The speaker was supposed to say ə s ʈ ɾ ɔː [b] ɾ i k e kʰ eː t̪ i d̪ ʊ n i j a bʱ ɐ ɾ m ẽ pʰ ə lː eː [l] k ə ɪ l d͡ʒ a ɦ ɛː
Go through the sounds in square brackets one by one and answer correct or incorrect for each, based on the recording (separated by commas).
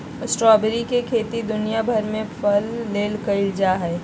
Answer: correct, correct